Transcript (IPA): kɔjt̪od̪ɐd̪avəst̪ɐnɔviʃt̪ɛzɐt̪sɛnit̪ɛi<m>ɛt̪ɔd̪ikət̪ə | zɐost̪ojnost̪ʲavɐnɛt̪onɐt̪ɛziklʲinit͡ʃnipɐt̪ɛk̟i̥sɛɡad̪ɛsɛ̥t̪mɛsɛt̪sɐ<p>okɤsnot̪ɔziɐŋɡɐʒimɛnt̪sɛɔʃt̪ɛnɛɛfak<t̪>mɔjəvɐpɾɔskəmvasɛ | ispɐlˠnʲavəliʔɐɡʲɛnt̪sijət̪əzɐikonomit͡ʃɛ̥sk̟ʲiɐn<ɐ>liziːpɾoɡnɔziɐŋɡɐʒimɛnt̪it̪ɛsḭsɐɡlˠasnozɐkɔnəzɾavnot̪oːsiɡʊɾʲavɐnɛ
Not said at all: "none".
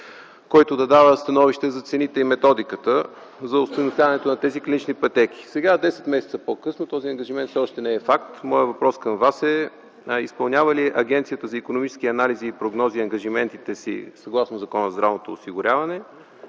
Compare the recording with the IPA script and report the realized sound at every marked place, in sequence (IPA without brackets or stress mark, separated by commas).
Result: m, p, t̪, a